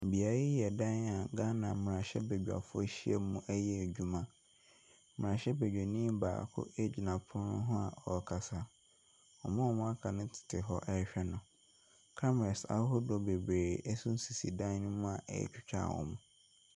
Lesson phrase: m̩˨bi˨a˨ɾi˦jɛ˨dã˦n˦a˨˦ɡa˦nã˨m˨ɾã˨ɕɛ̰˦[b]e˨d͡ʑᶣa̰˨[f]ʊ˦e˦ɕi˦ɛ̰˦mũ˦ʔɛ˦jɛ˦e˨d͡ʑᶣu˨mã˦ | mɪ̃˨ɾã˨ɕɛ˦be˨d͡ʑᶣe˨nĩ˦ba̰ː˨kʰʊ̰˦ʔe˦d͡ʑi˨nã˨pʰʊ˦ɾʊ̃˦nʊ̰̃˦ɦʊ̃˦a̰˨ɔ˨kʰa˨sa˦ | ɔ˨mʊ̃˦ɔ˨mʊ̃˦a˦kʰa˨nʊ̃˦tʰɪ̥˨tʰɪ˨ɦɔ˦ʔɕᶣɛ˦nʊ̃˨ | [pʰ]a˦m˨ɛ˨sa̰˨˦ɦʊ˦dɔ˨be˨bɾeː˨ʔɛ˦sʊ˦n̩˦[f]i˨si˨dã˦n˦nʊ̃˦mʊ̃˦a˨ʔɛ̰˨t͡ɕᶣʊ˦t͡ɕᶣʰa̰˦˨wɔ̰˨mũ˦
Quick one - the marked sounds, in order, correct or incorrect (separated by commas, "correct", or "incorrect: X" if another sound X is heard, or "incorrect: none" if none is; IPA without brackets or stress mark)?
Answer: correct, correct, incorrect: kʰ, incorrect: s